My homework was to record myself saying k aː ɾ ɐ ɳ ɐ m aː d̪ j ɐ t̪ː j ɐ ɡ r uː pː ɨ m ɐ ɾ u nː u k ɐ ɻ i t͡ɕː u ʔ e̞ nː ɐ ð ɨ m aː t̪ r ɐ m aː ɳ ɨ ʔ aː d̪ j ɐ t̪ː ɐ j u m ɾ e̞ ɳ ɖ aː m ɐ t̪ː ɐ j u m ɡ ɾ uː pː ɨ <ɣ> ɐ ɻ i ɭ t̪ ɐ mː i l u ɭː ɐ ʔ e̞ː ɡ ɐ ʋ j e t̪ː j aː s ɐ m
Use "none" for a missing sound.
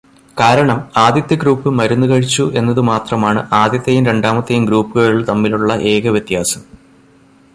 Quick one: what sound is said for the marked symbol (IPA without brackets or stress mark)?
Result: ɣ